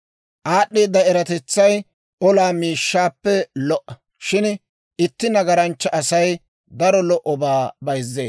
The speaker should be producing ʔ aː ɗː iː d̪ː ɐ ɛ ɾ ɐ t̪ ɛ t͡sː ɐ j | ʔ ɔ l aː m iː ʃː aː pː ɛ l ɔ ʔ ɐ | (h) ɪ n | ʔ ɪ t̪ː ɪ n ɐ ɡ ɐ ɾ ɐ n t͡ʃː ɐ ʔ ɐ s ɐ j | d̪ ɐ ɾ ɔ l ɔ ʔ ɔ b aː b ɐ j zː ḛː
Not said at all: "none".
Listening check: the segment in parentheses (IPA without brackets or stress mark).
ʃ